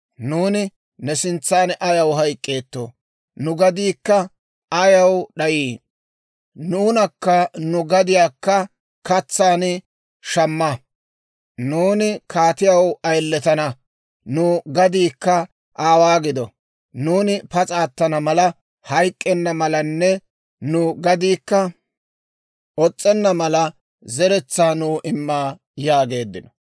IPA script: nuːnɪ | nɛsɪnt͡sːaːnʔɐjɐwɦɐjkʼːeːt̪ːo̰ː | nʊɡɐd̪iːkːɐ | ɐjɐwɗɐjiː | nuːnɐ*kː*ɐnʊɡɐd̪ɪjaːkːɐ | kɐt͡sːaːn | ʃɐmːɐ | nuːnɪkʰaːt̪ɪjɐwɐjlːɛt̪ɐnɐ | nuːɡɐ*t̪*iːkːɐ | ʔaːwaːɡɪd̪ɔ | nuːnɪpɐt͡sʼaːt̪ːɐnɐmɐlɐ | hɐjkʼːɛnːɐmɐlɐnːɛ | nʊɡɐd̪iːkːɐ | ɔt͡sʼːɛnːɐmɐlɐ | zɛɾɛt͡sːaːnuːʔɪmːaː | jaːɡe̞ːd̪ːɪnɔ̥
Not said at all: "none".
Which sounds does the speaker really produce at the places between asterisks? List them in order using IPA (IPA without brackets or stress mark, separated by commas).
kː, d̪